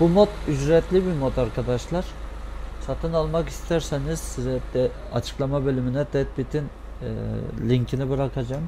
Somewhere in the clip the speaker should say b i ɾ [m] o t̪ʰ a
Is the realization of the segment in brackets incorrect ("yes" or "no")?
no